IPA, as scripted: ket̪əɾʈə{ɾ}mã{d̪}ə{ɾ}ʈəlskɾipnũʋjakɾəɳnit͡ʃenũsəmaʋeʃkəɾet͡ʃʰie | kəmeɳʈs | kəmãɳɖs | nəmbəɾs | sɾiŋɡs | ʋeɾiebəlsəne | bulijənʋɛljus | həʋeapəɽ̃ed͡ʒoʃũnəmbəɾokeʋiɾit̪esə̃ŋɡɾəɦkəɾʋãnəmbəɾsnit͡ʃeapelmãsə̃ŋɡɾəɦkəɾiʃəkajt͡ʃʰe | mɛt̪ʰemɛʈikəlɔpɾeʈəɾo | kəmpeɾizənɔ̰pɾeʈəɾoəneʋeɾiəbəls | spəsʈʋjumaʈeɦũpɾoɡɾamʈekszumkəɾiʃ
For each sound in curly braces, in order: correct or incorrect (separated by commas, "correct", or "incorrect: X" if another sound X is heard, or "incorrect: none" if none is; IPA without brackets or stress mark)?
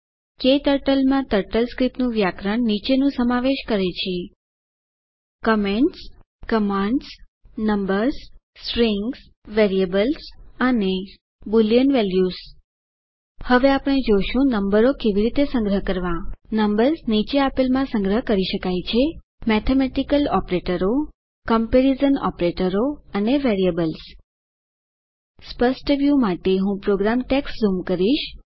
incorrect: l, incorrect: t̪, correct